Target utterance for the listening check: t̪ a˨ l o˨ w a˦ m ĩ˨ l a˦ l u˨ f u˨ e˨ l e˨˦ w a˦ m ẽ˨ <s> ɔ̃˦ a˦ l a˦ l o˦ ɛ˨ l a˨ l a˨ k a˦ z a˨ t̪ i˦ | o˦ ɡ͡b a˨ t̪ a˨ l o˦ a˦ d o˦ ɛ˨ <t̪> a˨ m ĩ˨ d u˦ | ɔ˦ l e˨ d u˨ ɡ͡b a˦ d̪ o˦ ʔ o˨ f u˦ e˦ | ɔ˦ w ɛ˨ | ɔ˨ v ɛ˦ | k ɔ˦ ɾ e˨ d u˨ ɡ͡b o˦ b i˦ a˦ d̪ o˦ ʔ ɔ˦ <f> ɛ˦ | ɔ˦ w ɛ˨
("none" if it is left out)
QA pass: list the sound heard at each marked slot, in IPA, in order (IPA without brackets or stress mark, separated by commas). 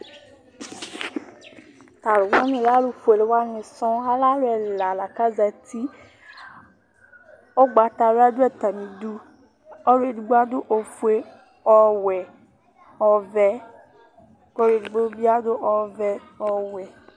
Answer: s, t̪, v